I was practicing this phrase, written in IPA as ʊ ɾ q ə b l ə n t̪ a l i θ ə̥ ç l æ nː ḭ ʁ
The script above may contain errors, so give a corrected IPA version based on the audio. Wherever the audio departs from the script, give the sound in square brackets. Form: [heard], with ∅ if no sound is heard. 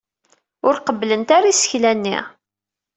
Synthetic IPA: ʊ ɾ q ə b l ə n t̪ a [ɾ] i [s] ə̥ ç l æ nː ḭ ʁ

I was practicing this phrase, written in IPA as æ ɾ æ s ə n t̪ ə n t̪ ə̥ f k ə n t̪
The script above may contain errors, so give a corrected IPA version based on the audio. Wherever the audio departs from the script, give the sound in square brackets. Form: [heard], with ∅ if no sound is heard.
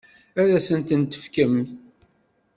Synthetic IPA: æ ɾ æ s ə n t̪ ə n t̪ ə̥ f k ə [m] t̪

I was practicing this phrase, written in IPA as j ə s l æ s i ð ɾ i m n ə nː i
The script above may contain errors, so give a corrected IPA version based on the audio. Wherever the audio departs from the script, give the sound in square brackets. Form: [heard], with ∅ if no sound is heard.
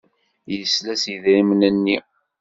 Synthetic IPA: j ə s l æ s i ð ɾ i m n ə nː i

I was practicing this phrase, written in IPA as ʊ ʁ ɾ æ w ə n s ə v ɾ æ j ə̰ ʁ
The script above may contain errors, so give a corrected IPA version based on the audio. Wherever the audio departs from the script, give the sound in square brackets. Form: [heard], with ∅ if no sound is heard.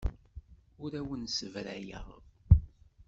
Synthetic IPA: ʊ [∅] ɾ æ w ə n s ə v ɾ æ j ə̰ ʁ

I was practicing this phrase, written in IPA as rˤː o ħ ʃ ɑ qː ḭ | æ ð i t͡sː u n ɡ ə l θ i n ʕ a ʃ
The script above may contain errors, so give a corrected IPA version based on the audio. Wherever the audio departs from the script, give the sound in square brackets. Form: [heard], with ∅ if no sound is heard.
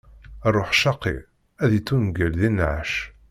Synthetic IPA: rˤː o ħ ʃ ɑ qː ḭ | æ ð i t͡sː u n ɡ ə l [ð] i n ʕ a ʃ

